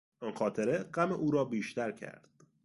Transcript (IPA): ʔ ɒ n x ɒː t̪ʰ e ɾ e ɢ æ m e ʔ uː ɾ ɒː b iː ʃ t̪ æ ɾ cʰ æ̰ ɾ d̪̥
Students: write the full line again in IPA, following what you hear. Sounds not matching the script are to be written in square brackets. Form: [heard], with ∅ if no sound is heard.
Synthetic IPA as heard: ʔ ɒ n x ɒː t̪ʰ e ɾ e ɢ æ m e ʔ uː ɾ ɒː b iː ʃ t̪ æ ɾ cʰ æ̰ ɾ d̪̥